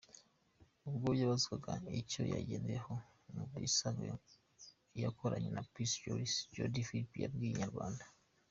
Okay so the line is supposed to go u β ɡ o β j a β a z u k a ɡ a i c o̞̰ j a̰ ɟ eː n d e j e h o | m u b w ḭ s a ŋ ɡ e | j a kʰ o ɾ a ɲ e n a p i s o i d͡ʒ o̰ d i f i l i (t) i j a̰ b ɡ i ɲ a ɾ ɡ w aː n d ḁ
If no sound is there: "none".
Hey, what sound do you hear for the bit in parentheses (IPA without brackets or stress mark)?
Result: p